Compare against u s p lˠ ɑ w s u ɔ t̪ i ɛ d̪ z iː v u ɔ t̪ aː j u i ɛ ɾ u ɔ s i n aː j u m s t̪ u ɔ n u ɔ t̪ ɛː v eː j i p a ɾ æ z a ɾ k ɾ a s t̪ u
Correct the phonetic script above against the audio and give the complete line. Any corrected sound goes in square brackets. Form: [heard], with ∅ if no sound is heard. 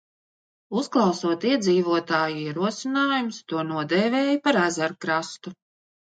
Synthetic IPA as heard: u s [k] lˠ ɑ w s u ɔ t̪ i ɛ d̪ z iː v u ɔ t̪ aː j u i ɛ ɾ u ɔ s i n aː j u m s t̪ u ɔ n u ɔ [d̪] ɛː v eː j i p a ɾ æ z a ɾ k ɾ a s t̪ u